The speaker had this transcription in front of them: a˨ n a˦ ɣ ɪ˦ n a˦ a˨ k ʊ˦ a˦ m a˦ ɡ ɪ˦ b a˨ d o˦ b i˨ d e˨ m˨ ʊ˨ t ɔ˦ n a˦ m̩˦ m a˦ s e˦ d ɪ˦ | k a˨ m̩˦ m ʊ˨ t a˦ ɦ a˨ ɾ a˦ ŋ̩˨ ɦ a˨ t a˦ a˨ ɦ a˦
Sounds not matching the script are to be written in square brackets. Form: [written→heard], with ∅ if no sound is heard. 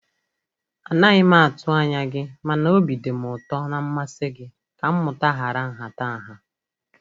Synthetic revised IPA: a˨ n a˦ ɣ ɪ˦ [n→m] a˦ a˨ [k→t] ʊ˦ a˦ [m→ɲ] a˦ ɡ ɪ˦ [b→m] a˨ [d→n] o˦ b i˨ d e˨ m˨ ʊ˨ t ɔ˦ n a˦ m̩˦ m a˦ s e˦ [d→ɡ] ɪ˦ | k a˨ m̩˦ m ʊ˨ t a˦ ɦ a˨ ɾ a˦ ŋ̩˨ ɦ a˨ t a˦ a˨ ɦ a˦